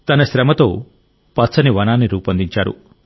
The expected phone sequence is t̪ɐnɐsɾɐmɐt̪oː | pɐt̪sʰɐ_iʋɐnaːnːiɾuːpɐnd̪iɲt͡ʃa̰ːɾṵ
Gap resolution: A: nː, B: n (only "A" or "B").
B